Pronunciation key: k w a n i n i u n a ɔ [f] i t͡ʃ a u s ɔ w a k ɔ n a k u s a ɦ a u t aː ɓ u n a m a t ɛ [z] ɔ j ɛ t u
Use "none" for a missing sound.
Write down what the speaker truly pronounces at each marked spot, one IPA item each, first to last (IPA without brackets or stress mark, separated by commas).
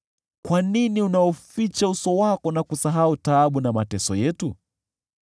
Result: f, s